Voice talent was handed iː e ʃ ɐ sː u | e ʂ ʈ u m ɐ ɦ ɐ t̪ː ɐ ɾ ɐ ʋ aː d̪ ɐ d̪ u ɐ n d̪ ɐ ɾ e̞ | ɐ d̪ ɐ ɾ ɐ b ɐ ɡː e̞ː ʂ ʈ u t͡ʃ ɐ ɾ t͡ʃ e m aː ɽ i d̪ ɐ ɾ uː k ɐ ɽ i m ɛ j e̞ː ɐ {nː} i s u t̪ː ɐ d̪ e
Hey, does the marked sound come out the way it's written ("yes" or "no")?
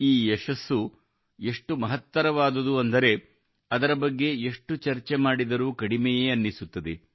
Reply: yes